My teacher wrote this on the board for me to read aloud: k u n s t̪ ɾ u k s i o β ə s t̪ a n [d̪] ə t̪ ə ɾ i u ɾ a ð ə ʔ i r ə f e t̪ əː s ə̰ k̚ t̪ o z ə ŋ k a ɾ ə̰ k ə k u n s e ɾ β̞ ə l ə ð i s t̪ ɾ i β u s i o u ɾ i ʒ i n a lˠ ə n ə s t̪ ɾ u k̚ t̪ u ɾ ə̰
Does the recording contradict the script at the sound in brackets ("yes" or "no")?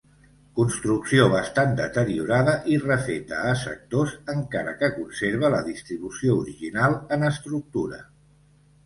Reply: no